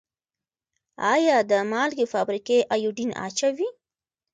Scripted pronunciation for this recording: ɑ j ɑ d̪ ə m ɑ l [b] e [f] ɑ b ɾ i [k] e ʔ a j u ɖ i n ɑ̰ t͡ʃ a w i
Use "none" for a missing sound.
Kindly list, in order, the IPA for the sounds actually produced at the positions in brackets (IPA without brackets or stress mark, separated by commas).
ɡ, f, k